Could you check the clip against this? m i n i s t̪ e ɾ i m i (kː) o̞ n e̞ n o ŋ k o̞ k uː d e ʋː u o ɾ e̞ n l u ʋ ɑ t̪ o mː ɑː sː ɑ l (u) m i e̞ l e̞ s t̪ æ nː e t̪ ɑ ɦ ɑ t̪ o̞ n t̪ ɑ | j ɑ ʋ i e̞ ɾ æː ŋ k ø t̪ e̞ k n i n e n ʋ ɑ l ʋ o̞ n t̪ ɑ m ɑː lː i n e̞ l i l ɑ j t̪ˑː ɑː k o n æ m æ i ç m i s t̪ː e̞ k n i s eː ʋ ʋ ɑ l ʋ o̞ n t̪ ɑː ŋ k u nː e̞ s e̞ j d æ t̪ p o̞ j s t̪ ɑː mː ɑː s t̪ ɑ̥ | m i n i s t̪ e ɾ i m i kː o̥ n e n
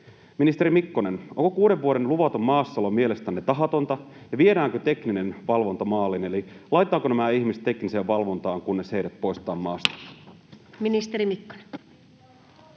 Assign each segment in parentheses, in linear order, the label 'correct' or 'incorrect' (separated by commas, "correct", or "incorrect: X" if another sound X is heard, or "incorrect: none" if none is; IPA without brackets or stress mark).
correct, incorrect: o